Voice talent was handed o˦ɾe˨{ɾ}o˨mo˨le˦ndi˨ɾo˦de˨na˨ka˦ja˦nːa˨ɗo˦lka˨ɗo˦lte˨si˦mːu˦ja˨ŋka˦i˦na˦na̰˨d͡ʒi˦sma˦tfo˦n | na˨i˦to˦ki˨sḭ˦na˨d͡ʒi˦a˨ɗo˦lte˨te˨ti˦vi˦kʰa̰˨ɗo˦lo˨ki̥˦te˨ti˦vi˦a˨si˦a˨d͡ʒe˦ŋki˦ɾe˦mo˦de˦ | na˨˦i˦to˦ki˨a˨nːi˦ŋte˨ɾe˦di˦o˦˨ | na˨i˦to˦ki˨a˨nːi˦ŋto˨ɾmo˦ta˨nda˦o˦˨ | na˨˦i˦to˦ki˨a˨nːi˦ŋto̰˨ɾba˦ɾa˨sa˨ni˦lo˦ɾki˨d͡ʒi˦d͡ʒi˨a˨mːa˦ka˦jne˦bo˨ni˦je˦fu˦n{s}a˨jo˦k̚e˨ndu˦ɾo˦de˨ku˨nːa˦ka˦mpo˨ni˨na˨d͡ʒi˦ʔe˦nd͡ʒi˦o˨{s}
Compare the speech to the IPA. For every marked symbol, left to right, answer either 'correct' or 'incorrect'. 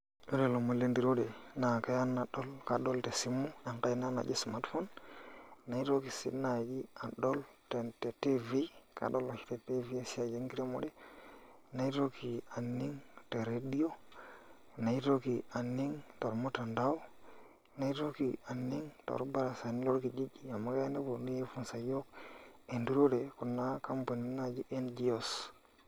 incorrect, correct, correct

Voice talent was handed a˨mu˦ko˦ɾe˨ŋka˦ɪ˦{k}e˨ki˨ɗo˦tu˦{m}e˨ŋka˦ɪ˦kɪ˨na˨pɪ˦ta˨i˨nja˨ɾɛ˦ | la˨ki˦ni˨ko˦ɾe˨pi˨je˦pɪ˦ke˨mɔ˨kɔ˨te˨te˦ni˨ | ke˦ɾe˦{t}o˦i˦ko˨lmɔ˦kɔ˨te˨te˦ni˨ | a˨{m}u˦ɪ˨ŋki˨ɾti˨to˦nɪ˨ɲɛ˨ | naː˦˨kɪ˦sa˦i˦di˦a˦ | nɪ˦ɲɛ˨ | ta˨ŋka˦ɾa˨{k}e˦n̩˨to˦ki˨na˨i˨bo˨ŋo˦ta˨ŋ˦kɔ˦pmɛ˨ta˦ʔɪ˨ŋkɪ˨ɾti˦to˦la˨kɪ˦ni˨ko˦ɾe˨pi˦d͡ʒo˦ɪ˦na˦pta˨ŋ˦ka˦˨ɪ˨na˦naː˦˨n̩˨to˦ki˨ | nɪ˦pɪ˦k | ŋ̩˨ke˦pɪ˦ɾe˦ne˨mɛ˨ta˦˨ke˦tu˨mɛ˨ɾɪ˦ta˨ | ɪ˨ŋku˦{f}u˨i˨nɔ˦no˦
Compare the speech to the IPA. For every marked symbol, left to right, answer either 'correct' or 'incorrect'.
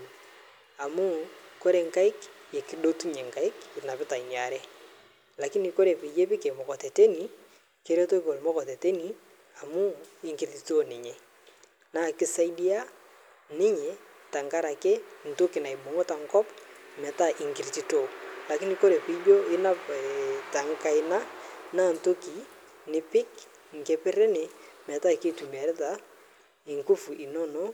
correct, incorrect, correct, correct, correct, correct

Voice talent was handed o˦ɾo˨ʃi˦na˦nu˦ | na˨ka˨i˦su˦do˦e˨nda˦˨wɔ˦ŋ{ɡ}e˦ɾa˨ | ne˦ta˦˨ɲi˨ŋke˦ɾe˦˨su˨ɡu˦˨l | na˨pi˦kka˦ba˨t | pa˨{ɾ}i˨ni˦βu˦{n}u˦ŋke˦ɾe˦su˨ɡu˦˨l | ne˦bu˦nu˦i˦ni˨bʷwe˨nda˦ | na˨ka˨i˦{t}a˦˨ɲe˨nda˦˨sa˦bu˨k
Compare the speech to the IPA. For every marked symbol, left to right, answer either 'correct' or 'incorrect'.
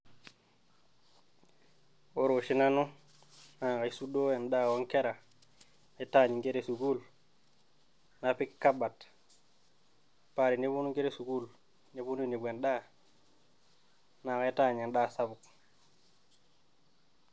incorrect, correct, correct, correct

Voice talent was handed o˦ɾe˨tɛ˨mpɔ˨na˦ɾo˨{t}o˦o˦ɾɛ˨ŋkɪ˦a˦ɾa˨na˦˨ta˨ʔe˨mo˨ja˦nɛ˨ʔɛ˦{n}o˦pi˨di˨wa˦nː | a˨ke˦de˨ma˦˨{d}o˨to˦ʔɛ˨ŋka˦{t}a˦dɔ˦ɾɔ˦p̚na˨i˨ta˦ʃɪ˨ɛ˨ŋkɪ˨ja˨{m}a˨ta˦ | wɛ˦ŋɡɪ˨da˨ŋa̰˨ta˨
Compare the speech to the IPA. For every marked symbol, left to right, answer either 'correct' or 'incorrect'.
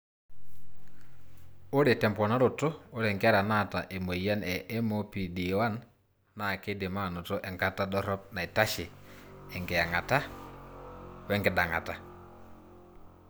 correct, incorrect, incorrect, correct, incorrect

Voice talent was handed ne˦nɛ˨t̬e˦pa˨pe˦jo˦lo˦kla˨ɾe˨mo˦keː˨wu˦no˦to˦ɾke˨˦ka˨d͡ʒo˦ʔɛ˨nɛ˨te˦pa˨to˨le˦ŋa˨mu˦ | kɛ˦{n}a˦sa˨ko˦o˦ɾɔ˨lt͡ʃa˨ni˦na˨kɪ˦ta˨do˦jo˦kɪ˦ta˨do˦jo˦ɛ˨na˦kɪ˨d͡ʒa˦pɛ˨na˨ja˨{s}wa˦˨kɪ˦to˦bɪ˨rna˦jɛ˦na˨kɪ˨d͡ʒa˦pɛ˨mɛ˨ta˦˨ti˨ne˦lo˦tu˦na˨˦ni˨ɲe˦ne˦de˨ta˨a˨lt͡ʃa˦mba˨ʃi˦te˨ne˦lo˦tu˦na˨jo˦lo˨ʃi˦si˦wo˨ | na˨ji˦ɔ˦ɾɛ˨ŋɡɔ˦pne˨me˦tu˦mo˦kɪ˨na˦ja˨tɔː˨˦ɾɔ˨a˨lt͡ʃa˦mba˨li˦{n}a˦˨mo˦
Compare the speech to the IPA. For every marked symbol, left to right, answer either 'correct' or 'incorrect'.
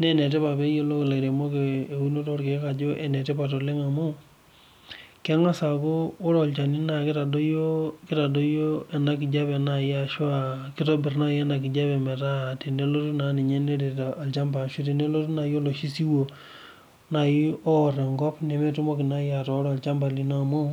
incorrect, incorrect, correct

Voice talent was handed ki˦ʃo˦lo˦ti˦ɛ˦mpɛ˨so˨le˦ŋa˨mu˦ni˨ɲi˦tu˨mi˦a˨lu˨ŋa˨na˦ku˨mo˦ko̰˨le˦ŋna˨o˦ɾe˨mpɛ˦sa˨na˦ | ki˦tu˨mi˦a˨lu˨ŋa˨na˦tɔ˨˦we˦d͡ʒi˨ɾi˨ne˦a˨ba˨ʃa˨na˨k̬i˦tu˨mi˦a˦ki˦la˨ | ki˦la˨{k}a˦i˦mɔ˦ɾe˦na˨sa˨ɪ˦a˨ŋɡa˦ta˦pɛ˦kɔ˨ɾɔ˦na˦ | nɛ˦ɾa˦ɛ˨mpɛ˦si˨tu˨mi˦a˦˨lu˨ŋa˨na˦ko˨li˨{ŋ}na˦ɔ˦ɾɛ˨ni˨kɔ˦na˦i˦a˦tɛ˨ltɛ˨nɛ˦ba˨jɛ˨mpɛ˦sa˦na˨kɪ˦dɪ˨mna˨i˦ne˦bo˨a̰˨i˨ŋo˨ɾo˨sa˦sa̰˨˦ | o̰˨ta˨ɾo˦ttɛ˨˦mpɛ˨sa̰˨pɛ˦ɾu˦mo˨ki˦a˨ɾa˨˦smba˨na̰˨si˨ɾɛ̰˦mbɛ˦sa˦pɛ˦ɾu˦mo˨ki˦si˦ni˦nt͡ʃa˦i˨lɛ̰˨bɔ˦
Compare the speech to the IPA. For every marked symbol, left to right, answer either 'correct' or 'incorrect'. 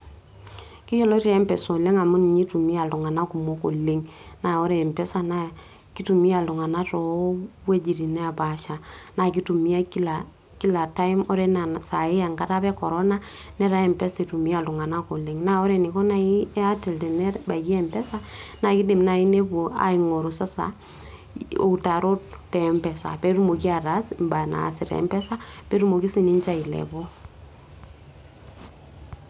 incorrect, correct

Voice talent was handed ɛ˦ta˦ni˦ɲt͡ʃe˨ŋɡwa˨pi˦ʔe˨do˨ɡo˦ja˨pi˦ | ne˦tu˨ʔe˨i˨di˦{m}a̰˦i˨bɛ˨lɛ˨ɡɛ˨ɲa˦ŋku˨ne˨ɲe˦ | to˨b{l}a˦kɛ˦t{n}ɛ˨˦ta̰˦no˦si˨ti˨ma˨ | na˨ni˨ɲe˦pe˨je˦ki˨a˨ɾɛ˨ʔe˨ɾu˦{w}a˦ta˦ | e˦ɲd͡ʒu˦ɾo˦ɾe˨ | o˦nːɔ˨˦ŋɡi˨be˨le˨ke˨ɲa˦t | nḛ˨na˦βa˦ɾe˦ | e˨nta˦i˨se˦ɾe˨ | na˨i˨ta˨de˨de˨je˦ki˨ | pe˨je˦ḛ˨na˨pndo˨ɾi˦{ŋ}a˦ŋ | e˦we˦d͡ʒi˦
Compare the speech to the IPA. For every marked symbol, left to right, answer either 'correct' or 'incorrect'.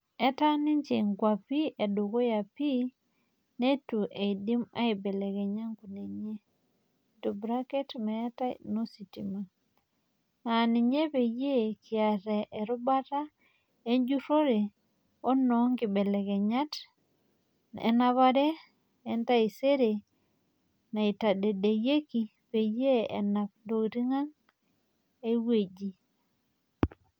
correct, incorrect, incorrect, incorrect, correct

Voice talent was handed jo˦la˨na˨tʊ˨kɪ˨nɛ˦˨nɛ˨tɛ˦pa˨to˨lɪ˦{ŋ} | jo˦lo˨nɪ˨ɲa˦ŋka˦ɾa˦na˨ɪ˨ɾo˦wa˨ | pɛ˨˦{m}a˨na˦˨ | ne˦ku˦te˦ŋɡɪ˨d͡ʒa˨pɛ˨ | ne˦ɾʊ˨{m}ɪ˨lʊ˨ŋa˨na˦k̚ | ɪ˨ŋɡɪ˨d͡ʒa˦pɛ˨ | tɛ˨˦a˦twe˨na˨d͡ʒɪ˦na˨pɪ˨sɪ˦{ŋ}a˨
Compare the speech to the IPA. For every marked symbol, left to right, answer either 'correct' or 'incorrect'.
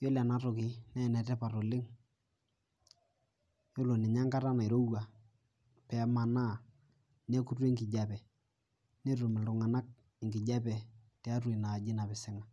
correct, correct, correct, correct

